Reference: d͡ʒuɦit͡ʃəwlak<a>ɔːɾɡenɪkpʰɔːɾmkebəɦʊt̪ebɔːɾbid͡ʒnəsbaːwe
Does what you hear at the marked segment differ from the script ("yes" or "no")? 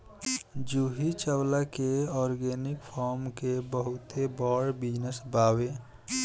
yes